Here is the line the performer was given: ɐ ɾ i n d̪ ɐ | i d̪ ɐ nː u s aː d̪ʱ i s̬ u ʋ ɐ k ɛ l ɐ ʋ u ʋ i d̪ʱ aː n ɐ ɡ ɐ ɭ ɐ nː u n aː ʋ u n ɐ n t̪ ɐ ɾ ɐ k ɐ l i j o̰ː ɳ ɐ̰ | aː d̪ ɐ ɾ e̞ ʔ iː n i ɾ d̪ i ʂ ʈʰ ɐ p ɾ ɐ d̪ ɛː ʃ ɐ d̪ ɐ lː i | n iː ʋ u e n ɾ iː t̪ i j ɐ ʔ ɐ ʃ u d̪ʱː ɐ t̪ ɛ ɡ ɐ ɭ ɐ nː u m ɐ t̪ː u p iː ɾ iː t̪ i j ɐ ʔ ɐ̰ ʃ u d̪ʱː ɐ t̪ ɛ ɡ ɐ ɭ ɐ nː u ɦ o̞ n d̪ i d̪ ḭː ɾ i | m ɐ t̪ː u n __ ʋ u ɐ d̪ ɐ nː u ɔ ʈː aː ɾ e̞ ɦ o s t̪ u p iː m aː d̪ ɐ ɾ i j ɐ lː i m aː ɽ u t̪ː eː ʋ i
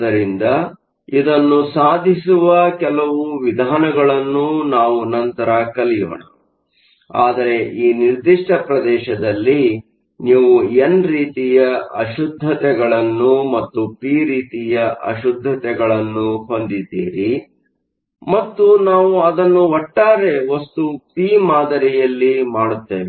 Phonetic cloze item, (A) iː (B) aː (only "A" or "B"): B